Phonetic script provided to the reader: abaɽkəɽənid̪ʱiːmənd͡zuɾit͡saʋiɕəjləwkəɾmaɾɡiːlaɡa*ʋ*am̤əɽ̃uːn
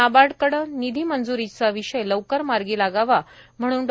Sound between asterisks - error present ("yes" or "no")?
no